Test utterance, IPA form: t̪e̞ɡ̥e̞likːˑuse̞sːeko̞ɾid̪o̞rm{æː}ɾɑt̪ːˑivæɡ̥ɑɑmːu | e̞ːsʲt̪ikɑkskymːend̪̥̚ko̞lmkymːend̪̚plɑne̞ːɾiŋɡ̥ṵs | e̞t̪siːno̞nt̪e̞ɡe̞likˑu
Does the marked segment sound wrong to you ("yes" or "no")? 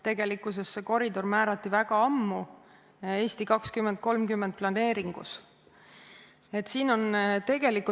no